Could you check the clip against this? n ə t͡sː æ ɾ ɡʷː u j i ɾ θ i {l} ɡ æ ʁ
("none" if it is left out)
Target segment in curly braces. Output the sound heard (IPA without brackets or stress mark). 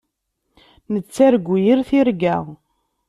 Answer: ɾ